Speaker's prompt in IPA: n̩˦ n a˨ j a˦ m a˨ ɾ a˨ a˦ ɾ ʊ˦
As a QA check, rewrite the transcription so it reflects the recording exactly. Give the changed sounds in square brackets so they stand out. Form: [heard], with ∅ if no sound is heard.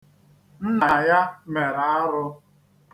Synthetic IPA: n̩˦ n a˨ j a˦ m [e˨] ɾ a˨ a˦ ɾ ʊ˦